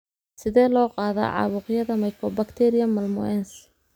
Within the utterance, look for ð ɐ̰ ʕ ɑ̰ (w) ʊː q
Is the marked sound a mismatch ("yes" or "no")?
yes